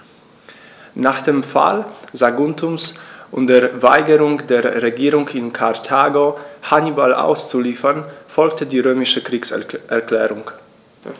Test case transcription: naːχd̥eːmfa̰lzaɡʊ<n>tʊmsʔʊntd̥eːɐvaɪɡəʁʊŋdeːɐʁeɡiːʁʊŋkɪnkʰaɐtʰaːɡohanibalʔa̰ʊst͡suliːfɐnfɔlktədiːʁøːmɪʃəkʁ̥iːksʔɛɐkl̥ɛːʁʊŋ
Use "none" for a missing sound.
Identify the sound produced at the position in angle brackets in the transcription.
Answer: n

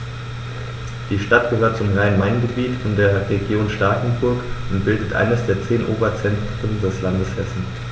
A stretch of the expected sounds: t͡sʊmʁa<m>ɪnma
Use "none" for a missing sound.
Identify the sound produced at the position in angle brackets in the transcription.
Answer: none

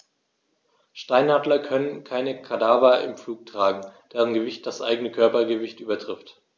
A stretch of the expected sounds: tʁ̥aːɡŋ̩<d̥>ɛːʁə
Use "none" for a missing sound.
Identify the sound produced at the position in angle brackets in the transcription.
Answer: d̥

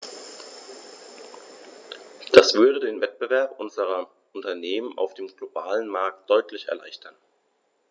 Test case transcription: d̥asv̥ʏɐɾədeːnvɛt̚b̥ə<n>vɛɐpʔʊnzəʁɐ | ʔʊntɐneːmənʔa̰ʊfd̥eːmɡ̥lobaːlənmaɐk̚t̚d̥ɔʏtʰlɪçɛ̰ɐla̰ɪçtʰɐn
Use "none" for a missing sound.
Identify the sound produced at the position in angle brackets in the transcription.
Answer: none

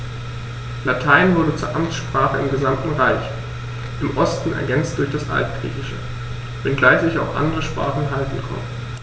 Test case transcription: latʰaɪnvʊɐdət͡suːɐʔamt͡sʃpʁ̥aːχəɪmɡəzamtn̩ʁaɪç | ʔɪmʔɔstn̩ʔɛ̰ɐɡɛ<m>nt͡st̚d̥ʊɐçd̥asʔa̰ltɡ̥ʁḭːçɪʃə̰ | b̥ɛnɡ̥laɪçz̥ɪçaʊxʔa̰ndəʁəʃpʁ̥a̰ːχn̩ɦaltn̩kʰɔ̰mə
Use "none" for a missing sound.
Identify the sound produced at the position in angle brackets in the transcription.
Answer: none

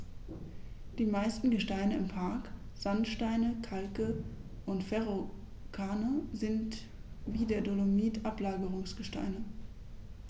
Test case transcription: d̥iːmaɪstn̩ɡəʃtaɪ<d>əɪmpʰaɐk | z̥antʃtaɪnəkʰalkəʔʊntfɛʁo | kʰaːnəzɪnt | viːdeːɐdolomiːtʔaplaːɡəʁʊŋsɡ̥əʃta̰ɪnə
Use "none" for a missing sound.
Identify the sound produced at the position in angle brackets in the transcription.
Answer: n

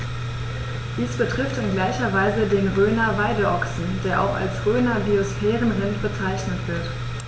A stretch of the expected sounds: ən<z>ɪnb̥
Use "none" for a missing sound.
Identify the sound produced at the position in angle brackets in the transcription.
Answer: ʁ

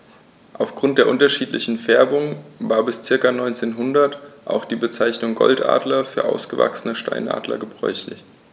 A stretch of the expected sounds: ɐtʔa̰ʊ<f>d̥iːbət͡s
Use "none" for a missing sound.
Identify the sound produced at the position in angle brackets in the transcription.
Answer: x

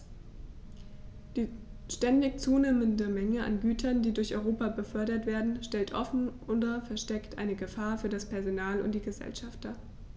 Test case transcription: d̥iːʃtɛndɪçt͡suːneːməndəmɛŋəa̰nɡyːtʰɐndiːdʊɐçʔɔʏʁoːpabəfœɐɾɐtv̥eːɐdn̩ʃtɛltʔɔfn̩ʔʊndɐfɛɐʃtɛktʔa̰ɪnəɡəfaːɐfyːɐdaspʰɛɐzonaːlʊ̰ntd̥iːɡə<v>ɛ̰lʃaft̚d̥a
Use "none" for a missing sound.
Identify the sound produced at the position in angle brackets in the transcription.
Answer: z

